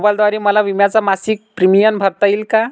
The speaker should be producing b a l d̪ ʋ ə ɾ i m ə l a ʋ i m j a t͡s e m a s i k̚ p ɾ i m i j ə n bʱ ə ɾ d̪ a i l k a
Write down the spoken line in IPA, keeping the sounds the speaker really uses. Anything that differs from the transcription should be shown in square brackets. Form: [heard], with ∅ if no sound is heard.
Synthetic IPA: b a l d̪ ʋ [a] ɾ i m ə l a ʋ i m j a t͡s [a] m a s i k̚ p ɾ i m i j ə n bʱ ə ɾ [t̪] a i l k a